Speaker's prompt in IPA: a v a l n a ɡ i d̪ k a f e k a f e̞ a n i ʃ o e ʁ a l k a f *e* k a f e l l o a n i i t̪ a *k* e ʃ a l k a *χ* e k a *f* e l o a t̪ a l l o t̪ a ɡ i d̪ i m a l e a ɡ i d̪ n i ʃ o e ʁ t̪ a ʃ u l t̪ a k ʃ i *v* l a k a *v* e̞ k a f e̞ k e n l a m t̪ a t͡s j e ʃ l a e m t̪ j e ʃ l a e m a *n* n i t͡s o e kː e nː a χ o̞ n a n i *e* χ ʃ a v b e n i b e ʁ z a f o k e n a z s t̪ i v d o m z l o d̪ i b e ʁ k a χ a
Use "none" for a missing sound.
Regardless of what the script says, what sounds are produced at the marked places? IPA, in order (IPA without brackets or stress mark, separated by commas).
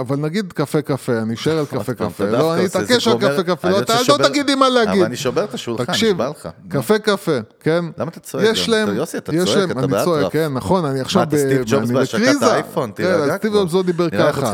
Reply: e, k, f, f, v, f, n, a